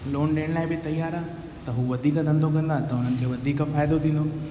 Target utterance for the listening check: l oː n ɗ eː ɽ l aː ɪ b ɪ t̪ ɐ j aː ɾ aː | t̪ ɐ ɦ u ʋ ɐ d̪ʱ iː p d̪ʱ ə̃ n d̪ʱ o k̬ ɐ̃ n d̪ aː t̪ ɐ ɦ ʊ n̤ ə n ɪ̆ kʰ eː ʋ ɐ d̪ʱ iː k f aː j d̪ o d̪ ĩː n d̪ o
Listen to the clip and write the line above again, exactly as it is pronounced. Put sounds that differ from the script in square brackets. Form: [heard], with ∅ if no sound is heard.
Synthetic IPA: l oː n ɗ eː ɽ l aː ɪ b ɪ t̪ ɐ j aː ɾ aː | t̪ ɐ ɦ u ʋ ɐ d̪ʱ iː [k] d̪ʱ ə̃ n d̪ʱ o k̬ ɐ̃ n d̪ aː t̪ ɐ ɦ ʊ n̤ ə n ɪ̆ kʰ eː ʋ ɐ d̪ʱ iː k f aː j d̪ o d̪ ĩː n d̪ o